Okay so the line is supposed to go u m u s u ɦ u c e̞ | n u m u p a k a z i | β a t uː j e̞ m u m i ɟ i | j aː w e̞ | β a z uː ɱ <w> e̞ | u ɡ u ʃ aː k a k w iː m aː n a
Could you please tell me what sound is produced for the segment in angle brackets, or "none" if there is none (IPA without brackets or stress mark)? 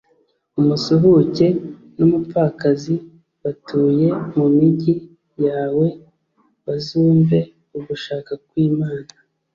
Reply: v